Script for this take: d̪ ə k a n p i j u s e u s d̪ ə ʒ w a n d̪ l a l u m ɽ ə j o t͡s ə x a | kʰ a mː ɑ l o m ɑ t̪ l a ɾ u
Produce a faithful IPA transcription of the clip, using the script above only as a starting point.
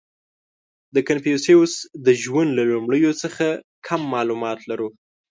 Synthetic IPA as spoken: d̪ ə k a n p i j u s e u s d̪ ə ʒ w a n d̪ l a l u m ɽ ə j o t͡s ə x a | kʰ a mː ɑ l u m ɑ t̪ l a ɾ u